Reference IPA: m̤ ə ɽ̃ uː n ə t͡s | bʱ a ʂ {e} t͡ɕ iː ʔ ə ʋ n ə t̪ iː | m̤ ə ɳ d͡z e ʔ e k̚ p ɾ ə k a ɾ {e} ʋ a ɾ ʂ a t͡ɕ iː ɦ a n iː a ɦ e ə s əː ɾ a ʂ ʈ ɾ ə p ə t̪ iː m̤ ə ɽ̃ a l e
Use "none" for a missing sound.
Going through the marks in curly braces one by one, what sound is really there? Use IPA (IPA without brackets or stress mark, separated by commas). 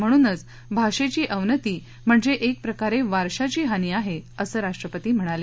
e, e